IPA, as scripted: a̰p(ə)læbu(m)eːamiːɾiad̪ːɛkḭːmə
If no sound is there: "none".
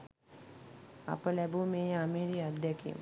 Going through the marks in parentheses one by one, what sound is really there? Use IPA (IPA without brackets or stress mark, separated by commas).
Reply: ə, m